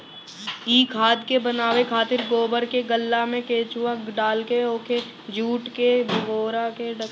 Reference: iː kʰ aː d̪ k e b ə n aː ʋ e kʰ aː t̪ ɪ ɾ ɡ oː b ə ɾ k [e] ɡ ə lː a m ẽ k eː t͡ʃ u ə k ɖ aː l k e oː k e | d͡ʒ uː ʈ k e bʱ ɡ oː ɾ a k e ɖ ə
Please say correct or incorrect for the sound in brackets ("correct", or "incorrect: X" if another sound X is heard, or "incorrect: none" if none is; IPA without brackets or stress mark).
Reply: correct